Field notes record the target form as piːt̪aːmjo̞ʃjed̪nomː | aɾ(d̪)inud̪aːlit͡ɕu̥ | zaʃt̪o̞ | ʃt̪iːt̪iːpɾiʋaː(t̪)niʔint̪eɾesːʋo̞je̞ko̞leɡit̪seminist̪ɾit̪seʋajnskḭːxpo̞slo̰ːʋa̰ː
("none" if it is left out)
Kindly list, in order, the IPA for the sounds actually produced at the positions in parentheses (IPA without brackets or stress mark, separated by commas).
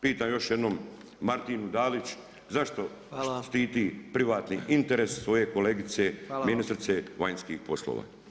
t̪, t̪